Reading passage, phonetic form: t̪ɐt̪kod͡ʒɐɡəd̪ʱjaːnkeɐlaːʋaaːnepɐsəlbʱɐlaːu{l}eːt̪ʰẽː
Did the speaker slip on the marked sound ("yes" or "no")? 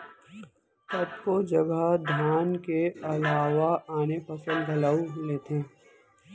no